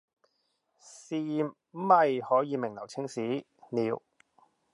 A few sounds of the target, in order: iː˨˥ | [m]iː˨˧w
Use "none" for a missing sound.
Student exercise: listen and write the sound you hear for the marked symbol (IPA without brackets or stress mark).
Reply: n